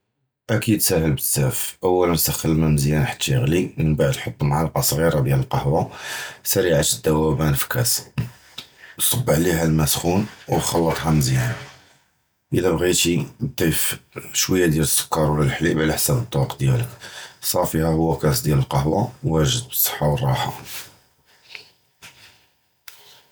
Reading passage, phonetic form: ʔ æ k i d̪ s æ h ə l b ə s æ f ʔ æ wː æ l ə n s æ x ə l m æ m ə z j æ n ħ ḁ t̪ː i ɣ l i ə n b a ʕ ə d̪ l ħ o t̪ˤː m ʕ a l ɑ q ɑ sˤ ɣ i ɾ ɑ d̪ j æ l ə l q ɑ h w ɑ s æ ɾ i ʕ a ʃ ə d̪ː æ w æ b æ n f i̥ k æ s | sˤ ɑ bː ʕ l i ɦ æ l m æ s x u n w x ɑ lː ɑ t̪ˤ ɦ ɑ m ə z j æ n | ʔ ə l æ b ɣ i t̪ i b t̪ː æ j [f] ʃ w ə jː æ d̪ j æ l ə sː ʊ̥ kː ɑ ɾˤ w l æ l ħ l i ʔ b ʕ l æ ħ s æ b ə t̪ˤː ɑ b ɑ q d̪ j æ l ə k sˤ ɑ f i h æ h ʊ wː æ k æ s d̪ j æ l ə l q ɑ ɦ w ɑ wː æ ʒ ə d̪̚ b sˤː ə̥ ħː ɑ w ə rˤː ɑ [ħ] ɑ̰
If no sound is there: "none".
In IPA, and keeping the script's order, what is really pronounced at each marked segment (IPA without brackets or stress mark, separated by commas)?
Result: f, ħ